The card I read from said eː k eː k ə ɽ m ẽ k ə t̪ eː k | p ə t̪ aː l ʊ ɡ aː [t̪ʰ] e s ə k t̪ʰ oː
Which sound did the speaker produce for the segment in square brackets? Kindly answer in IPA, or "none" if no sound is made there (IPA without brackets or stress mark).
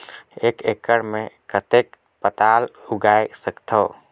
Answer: none